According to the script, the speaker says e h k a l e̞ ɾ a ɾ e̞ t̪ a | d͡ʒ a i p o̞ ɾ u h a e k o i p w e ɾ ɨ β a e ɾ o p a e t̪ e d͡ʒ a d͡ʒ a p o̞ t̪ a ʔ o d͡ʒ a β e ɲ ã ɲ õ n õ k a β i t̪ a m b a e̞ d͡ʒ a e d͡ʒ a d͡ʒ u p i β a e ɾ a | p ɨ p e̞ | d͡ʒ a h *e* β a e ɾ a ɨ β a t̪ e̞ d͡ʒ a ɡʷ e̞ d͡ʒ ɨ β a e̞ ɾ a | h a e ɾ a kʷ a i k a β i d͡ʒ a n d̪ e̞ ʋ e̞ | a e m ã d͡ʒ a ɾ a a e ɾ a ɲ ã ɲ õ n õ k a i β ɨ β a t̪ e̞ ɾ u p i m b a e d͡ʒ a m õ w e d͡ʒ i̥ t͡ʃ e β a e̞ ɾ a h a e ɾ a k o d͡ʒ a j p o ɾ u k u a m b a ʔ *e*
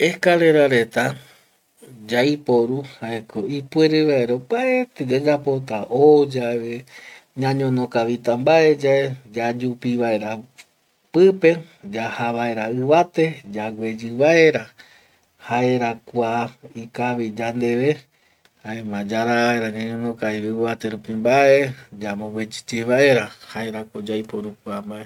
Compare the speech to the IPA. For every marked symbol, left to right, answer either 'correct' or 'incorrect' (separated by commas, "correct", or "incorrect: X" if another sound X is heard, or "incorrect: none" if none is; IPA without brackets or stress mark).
incorrect: a, correct